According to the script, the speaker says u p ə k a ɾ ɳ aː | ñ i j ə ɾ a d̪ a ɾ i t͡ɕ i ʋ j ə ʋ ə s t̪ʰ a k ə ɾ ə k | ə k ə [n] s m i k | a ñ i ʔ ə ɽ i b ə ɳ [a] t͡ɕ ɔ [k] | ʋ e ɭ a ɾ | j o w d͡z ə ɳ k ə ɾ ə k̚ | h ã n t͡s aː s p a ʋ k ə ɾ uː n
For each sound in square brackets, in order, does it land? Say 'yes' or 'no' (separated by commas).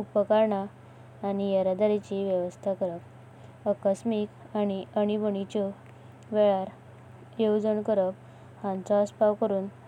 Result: no, no, no